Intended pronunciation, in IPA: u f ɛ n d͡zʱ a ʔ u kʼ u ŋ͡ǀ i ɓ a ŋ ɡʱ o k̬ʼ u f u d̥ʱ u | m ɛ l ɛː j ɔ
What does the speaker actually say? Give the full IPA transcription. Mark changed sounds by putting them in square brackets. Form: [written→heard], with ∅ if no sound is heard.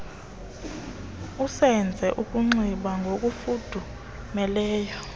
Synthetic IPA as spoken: u [f→s] ɛ n d͡zʱ [a→ɛ] ʔ u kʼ u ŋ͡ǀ i ɓ a ŋ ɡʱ o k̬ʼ u f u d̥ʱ u | m ɛ l ɛː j ɔ